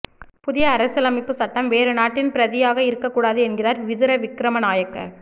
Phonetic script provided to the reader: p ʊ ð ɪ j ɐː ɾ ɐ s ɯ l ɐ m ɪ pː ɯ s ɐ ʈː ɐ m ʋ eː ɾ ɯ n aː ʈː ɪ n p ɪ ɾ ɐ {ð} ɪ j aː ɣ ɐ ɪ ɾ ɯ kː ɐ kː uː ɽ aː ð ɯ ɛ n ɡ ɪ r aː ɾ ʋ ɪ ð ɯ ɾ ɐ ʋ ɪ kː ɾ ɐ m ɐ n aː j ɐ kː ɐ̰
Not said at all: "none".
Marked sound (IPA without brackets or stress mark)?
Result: ð